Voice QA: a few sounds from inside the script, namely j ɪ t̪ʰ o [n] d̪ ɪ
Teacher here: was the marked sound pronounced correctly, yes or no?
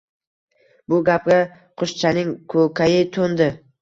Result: yes